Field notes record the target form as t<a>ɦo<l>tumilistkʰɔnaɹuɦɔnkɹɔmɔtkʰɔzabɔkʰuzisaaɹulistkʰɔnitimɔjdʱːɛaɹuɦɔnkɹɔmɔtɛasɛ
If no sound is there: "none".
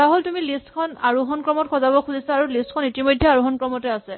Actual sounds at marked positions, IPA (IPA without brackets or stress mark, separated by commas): a, l